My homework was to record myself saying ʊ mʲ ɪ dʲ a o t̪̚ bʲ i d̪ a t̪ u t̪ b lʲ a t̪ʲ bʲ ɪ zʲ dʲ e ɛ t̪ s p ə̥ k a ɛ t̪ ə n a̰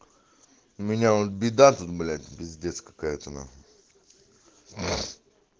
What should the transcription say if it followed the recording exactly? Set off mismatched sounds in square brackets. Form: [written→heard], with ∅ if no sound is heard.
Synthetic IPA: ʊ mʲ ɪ [dʲ→nʲ] a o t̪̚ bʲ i d̪ a t̪ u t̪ b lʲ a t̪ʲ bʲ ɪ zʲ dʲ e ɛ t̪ s [p→k] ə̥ k a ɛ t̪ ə n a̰